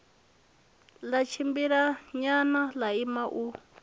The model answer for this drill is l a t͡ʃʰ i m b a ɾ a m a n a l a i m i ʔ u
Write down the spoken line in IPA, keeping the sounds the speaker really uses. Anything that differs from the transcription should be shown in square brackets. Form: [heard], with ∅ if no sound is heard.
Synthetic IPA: l a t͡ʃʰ i m b [i] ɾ a [ɲ] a n a l a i m [a] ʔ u